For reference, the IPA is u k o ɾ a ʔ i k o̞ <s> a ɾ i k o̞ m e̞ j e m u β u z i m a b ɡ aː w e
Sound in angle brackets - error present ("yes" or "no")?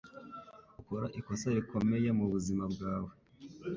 no